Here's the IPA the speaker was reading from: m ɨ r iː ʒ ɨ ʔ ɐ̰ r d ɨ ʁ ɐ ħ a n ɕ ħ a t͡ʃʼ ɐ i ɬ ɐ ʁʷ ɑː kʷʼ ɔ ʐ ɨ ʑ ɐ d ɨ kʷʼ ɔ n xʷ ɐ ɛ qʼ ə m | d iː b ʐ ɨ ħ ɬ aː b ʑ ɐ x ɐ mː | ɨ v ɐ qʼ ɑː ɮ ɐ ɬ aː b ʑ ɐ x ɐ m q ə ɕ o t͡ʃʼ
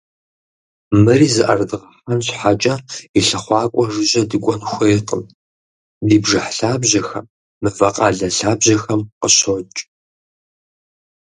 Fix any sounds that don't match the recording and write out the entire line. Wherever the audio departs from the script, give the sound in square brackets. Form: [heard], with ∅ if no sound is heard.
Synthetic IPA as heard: m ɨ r iː [z] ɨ ʔ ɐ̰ r d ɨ ʁ ɐ ħ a n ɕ ħ a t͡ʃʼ ɐ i ɬ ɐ [χʷ] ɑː kʷʼ ɔ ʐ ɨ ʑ ɐ d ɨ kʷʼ ɔ n xʷ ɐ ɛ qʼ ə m | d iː b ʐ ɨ ħ ɬ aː b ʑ ɐ x ɐ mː | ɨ v ɐ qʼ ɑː ɮ ɐ ɬ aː b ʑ ɐ x ɐ m q ə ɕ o t͡ʃʼ